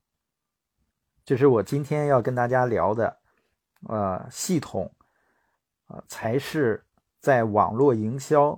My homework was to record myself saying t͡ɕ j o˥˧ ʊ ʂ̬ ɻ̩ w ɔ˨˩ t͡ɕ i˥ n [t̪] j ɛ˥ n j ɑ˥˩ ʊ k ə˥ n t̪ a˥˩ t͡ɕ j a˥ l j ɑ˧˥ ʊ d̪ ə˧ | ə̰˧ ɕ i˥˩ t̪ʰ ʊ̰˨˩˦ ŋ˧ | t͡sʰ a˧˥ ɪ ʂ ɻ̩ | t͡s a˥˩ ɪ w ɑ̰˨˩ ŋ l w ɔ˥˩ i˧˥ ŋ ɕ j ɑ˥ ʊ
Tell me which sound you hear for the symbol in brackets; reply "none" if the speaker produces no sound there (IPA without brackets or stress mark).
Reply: t̪ʰ